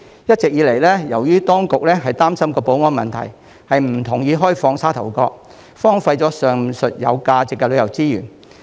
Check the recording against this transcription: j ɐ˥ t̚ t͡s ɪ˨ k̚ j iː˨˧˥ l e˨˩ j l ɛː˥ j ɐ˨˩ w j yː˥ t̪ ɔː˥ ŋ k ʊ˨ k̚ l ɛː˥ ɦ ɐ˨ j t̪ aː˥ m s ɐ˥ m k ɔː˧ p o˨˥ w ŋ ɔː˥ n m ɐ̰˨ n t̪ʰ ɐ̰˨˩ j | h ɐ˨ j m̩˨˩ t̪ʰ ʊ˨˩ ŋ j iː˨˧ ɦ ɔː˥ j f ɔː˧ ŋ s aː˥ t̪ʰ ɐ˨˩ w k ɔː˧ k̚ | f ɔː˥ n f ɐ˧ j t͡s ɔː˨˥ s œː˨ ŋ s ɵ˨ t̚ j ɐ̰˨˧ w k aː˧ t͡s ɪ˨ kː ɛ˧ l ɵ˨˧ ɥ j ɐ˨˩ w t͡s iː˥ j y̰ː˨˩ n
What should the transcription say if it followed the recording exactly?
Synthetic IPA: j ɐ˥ t̚ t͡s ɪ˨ k̚ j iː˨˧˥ l e˨˩ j l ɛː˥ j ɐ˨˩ w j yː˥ t̪ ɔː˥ ŋ k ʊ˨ k̚ l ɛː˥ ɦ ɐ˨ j t̪ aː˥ m s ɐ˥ m k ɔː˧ p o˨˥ w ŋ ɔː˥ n m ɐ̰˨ n t̪ʰ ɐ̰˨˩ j | h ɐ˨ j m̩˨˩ t̪ʰ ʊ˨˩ ŋ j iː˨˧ ɦ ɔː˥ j f ɔː˧ ŋ s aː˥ t̪ʰ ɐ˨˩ w k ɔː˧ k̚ | f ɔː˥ ŋ f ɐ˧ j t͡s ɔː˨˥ s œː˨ ŋ s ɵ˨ t̚ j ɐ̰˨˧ w k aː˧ t͡s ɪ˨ kː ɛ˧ l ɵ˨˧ ɥ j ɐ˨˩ w t͡s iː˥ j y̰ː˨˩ n